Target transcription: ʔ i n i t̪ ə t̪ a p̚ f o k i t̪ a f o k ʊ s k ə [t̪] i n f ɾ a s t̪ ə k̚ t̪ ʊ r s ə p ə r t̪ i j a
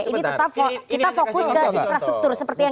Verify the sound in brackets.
incorrect: none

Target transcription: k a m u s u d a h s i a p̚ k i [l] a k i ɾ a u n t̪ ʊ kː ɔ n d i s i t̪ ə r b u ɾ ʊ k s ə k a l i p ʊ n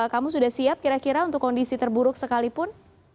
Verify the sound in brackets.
incorrect: ɾ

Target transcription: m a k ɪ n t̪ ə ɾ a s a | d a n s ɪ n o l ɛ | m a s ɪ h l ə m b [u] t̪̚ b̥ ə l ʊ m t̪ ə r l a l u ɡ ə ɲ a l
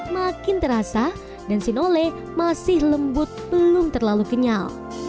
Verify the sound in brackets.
incorrect: ʊ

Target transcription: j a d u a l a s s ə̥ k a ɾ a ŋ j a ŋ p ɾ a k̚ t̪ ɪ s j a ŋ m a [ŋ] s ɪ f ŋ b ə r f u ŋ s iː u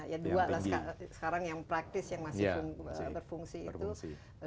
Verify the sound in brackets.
incorrect: none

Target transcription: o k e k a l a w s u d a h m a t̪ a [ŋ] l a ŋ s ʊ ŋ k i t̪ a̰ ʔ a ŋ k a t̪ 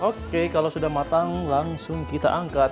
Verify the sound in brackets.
correct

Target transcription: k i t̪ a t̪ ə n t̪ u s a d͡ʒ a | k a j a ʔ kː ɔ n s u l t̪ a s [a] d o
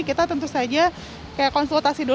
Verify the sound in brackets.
incorrect: i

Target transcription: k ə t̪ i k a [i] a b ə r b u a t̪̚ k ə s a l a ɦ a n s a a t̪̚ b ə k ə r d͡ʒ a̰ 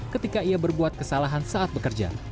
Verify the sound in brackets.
correct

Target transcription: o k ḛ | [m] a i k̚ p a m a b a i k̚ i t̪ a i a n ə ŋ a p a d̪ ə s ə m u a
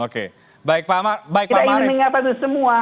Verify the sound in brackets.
incorrect: b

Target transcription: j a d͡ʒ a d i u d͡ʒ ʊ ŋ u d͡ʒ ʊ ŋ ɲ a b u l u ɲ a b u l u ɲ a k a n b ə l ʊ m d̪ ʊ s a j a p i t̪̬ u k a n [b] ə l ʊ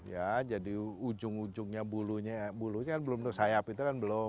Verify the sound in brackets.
correct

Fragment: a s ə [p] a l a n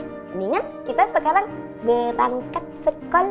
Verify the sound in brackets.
incorrect: k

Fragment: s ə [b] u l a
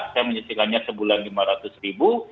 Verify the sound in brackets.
correct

